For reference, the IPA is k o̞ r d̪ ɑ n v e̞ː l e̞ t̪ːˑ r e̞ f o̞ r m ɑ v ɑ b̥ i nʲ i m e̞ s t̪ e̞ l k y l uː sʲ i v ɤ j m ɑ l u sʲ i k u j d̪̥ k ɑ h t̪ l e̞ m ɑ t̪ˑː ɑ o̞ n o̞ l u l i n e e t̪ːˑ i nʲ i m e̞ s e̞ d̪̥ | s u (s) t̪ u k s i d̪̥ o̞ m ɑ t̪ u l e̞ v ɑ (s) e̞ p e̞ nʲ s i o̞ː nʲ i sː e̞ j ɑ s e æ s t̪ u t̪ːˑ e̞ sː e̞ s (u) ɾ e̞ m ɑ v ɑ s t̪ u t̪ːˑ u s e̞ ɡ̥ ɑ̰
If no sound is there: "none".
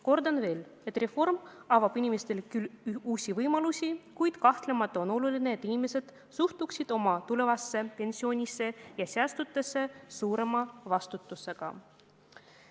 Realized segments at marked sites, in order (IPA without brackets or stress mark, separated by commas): h, sː, uː